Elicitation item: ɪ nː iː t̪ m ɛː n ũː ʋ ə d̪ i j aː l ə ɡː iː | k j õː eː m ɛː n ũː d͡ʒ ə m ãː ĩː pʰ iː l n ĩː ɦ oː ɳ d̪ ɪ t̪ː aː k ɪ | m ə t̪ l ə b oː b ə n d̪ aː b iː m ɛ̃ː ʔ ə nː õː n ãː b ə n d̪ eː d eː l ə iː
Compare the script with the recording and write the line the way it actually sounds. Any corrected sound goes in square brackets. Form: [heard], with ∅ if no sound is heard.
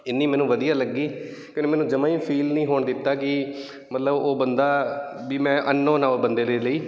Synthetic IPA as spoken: ɪ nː iː [∅] m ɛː n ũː ʋ ə d̪ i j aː l ə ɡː iː | k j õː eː m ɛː n ũː d͡ʒ ə m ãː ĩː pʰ iː l n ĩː ɦ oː ɳ d̪ ɪ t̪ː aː k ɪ | m ə t̪ l ə b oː b ə n d̪ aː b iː m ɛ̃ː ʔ ə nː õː n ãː b ə n d̪ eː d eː l ə iː